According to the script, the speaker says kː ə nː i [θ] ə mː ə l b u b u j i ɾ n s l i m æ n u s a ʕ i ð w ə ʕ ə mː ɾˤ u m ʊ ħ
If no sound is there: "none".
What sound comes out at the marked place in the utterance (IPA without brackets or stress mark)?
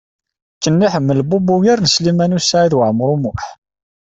ħ